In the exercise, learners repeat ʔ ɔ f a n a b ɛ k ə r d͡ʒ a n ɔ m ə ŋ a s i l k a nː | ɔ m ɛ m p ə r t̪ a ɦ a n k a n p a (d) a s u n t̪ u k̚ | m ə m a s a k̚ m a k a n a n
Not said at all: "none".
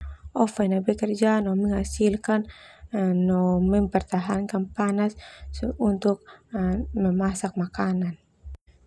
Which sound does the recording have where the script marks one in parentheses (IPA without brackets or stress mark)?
n